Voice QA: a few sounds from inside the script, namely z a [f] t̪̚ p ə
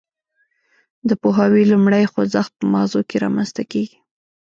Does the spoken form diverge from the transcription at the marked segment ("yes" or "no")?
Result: yes